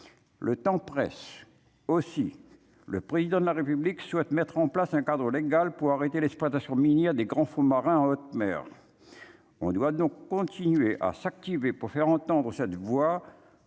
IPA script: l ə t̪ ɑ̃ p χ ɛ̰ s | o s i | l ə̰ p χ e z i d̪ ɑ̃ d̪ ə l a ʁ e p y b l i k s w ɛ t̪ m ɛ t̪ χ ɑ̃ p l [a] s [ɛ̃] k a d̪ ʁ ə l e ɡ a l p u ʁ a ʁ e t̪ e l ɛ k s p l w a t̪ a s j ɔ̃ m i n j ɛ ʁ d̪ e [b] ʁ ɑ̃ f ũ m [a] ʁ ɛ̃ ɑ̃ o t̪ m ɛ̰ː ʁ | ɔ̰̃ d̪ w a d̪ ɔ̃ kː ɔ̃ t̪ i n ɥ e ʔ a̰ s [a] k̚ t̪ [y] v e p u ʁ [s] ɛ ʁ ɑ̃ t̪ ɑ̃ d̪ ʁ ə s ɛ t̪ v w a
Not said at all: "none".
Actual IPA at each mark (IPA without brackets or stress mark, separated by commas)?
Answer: a, ɛ̃, ɡ, a, a, i, f